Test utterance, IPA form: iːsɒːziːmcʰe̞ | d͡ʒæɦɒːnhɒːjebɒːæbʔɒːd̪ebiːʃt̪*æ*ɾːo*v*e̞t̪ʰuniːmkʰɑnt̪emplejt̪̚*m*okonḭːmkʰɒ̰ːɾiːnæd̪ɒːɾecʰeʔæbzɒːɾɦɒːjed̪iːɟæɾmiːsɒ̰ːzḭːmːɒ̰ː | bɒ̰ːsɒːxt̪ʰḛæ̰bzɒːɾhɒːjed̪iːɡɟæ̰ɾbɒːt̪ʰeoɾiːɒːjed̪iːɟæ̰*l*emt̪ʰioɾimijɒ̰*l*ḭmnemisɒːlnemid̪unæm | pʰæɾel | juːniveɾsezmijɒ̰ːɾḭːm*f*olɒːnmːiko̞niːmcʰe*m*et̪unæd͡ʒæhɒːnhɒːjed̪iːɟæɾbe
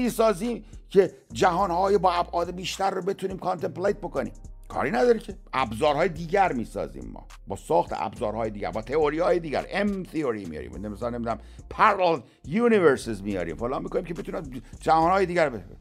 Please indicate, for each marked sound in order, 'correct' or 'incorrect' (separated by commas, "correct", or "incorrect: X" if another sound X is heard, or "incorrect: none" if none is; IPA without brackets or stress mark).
correct, incorrect: b, incorrect: b, incorrect: ɾ, incorrect: ɾ, correct, incorrect: b